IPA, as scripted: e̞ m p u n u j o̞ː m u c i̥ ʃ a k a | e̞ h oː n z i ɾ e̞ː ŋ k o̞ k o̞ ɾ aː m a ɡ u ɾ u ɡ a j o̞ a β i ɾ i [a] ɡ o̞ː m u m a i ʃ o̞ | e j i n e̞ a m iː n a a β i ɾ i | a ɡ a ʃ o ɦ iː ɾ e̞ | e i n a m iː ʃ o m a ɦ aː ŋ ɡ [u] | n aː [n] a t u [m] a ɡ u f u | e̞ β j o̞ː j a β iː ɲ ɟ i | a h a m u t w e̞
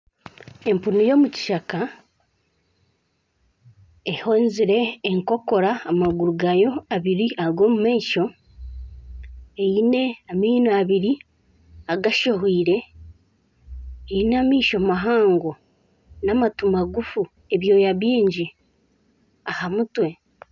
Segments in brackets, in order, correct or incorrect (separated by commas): correct, incorrect, incorrect, correct